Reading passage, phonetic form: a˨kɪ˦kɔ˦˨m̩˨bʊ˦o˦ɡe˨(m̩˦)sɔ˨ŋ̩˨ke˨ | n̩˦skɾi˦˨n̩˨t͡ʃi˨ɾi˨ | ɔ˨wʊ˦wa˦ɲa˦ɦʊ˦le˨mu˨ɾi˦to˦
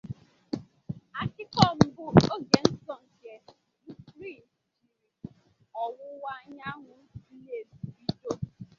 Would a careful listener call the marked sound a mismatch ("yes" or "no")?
yes